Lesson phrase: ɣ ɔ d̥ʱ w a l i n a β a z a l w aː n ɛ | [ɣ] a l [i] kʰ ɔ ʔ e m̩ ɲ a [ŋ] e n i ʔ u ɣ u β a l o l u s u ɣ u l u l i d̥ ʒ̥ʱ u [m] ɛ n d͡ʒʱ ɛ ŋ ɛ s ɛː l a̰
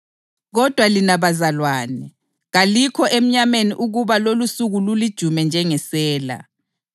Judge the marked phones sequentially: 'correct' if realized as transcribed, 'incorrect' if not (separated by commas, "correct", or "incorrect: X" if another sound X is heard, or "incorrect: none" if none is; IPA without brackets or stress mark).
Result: correct, correct, incorrect: m, correct